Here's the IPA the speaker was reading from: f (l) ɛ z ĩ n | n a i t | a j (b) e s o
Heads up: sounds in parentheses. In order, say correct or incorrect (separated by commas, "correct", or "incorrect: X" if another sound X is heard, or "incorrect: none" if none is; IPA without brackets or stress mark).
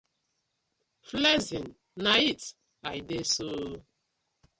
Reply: correct, incorrect: d